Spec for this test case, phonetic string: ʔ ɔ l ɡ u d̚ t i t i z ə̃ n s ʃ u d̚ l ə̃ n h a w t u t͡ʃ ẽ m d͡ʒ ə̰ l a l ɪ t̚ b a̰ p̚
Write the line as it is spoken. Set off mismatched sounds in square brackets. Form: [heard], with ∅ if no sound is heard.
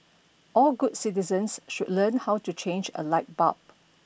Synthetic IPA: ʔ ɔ l ɡ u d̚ [s] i t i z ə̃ n s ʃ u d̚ l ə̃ n h a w t u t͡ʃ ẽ [n] d͡ʒ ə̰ l a [∅] ɪ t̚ b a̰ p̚